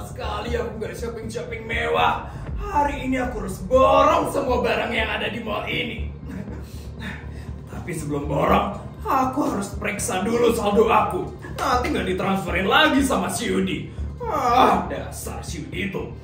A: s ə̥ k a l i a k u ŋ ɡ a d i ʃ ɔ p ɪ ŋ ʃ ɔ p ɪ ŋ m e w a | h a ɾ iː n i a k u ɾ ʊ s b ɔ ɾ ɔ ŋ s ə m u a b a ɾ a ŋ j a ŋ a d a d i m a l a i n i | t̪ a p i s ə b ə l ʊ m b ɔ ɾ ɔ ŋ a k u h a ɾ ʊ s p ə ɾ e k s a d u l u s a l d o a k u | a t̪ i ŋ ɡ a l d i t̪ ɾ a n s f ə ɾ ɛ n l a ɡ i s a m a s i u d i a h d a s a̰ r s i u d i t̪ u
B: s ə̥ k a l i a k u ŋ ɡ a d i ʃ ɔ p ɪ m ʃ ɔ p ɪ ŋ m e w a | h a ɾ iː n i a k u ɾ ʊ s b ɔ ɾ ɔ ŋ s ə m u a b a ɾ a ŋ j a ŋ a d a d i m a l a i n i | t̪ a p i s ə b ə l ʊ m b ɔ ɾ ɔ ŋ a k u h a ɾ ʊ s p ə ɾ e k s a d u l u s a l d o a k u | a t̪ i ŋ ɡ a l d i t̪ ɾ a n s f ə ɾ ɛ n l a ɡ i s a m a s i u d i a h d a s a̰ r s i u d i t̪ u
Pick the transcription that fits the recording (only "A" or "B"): A